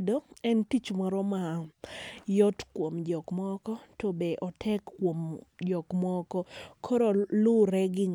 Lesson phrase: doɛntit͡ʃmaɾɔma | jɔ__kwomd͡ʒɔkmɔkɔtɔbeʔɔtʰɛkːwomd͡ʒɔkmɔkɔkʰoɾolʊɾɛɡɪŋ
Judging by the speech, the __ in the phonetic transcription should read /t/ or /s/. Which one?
t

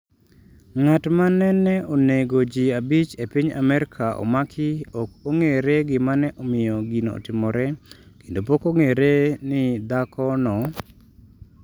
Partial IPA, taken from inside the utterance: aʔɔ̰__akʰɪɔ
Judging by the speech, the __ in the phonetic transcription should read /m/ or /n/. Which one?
m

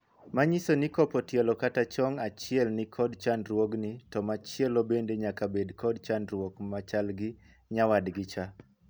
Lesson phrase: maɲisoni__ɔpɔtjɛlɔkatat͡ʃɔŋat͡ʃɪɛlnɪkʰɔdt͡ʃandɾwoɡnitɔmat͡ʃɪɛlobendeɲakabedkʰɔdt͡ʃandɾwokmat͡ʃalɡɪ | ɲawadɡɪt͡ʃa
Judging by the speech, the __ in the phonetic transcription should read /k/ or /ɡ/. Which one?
k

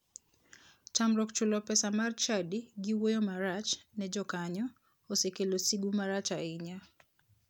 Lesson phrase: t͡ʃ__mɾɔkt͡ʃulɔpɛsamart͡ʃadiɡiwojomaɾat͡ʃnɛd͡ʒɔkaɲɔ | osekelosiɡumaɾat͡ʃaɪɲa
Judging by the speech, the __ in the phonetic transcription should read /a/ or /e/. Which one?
a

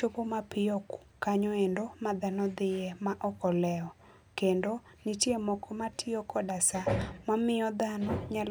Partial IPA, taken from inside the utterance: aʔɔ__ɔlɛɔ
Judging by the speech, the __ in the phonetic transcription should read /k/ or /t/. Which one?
k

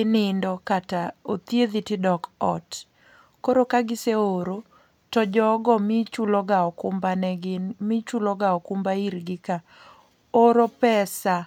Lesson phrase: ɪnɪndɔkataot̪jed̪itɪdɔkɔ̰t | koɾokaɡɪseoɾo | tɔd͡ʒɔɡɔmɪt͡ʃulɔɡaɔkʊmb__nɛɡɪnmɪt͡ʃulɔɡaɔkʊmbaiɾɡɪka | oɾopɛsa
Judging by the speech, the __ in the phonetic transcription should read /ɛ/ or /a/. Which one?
a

